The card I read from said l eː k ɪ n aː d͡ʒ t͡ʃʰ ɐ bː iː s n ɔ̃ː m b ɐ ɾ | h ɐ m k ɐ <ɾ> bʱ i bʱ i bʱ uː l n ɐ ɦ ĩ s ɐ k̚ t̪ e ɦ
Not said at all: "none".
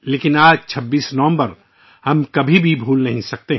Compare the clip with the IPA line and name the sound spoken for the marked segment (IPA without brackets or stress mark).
none